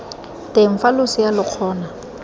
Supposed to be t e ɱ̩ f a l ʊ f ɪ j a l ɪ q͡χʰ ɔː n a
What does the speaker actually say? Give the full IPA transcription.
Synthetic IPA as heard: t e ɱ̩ f a l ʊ s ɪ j a l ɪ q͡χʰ ɔː n a